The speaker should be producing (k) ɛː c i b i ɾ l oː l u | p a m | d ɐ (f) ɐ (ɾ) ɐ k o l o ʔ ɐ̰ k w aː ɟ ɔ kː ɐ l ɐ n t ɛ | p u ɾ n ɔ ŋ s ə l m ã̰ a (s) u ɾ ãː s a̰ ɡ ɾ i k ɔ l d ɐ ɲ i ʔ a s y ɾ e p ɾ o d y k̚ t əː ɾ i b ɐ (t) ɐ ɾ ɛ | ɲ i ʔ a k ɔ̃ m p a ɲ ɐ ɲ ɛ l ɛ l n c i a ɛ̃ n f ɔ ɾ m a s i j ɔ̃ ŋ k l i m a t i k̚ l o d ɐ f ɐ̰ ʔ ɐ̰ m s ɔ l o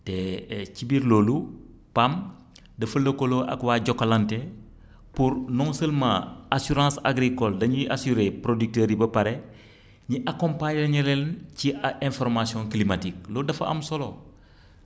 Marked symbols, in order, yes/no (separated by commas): no, yes, no, yes, no